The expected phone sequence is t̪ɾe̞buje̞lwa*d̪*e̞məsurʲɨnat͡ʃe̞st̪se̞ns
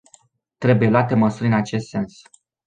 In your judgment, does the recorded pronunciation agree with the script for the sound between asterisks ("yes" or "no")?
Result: no